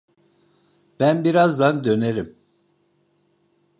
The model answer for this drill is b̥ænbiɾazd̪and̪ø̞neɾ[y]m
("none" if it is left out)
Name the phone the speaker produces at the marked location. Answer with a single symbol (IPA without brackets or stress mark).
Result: i